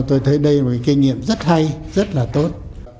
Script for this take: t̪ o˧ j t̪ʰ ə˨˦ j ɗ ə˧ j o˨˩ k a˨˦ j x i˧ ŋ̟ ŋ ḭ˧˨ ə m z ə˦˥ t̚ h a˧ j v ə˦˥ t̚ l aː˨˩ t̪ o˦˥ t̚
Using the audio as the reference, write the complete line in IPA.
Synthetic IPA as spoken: t̪ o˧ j t̪ʰ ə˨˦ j ɗ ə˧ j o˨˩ k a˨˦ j k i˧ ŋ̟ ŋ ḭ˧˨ ə m z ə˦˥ t̚ h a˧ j z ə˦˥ t̚ l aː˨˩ t̪ o˦˥ t̚

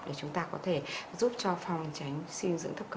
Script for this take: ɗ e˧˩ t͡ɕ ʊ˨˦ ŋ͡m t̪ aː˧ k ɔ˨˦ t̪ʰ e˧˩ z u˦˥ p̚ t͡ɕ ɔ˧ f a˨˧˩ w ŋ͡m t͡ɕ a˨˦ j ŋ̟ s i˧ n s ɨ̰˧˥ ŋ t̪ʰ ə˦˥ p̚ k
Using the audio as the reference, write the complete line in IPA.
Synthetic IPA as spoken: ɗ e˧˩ t͡ɕ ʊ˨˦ ŋ͡m t̪ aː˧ k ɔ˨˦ t̪ʰ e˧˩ z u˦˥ p̚ t͡ɕ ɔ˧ f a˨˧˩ w ŋ͡m t͡ɕ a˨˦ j ŋ̟ s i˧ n z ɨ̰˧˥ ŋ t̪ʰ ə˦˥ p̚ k

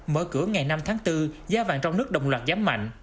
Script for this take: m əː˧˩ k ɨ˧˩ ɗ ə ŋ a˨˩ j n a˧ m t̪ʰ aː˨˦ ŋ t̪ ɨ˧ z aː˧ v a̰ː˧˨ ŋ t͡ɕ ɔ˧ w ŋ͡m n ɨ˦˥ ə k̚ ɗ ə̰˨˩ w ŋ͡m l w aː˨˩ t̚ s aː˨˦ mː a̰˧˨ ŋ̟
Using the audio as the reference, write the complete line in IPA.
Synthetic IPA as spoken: m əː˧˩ k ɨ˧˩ ə ŋ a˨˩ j n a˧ m t̪ʰ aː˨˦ ŋ t̪ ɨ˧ z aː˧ v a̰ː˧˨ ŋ t͡ɕ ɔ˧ w ŋ͡m n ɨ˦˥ ə k̚ ɗ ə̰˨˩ w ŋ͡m l w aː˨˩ t̚ z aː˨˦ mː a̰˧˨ ŋ̟

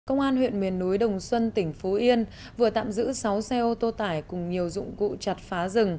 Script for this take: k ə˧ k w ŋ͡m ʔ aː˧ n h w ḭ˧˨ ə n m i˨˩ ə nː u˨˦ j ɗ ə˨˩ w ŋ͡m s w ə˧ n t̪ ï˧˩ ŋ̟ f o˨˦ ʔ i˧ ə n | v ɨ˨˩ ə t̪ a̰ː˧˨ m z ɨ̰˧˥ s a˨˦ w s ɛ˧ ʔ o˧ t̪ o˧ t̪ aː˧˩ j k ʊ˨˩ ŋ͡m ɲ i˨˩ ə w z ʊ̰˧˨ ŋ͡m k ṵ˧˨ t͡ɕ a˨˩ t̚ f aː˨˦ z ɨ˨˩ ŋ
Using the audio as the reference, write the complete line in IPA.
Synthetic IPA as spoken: k ə˧ w ŋ͡m ʔ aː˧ n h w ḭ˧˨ ə n m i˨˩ ə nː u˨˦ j ɗ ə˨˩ w ŋ͡m s w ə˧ n t̪ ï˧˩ ŋ̟ f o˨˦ ʔ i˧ ə n | v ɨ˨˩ ə t̪ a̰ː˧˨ m z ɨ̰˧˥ s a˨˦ w s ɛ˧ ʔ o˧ t̪ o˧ t̪ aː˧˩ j k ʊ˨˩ ŋ͡m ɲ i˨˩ ə w z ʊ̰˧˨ ŋ͡m k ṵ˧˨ t͡ɕ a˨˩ t̚ f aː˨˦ z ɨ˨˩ ŋ

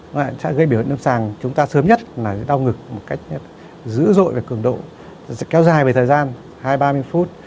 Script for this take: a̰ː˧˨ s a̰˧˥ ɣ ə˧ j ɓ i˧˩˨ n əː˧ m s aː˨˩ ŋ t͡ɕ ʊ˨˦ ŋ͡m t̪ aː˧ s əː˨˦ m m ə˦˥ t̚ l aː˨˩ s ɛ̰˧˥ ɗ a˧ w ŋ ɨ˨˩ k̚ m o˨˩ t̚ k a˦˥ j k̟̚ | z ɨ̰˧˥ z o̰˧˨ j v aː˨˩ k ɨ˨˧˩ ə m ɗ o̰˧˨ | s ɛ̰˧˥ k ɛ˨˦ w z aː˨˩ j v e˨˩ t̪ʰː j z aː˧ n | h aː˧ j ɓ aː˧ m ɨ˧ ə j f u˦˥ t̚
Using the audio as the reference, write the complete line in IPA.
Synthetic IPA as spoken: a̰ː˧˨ s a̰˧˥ ɣ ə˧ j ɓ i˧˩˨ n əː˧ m s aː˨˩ ŋ t͡ɕ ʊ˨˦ ŋ͡m t̪ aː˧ s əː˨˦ m ɲ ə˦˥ t̚ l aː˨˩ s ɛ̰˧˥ ɗ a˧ w ŋ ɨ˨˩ k̚ m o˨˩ t̚ k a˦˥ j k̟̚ | z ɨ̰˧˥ z o̰˧˨ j v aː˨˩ k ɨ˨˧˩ ə ŋ ɗ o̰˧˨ | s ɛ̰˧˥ k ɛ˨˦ w z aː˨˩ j v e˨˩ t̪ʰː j z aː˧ n | h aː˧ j ɓ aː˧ m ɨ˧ ə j f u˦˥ t̚

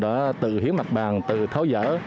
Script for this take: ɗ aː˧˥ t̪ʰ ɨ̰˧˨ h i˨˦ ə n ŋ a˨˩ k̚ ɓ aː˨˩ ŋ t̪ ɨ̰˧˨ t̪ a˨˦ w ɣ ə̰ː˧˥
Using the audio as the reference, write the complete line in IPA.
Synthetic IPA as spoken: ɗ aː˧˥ t̪ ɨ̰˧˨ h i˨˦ ə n m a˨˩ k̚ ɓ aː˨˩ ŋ t̪ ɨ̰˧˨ t̪ʰ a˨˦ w z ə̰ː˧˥

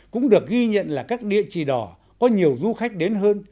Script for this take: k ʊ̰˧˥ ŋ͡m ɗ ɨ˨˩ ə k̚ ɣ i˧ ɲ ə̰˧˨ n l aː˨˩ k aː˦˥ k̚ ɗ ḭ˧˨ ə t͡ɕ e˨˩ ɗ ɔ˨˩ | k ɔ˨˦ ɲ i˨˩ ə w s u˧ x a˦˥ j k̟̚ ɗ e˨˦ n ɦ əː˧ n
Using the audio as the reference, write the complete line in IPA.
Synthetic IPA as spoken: k ʊ̰˧˥ ŋ͡m ɗ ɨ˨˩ ə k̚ ɣ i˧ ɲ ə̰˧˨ n l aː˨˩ k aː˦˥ k̚ ɗ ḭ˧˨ ə t͡ɕ i˨˩ ɗ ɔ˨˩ | k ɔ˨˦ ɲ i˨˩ ə w z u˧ x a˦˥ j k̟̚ ɗ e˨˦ n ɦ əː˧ n

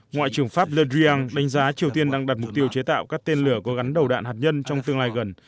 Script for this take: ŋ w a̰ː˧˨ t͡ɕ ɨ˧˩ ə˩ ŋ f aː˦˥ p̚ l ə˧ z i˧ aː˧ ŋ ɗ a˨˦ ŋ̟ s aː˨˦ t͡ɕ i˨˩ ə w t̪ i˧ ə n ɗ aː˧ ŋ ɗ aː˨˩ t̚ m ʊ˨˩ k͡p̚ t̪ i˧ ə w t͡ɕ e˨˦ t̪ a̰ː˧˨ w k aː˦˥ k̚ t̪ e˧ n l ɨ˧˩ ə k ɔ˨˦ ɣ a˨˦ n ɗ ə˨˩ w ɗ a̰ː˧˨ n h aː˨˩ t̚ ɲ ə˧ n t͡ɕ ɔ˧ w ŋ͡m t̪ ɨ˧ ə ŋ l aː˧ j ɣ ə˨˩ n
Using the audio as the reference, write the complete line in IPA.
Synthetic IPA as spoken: ŋ w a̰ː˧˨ t͡ɕ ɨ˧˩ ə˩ ŋ f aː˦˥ p̚ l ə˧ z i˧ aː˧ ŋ ɗ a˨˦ ŋ̟ z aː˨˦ t͡ɕ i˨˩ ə w t̪ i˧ ə n ɗ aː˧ ŋ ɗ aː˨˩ t̚ m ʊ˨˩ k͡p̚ t̪ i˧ ə w t͡ɕ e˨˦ t̪ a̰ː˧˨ w k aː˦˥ k̚ t̪ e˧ n l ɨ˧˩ ə k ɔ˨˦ ɣ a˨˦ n ɗ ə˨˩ w ɗ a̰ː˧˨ n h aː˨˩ t̚ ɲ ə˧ n t͡ɕ ɔ˧ w ŋ͡m t̪ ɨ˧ ə ŋ l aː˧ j ɣ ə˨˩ n

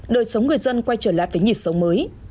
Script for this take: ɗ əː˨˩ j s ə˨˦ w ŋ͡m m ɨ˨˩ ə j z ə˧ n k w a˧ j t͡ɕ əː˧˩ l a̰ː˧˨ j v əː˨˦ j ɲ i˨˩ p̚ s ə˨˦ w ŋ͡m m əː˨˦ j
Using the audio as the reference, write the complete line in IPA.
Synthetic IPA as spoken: ɗ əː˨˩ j s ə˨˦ w ŋ͡m ŋ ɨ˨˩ ə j z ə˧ n k w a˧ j t͡ɕ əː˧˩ l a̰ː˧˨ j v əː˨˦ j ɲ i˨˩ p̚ s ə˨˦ w ŋ͡m m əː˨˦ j

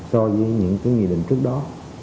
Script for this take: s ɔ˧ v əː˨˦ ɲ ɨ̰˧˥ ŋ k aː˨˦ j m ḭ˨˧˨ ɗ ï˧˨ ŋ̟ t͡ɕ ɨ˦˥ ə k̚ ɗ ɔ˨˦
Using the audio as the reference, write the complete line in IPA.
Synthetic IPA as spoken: s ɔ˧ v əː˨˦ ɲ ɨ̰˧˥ ŋ k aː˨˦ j ŋ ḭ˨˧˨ ɗ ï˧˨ ŋ̟ t͡ɕ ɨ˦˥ ə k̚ ɗ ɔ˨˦

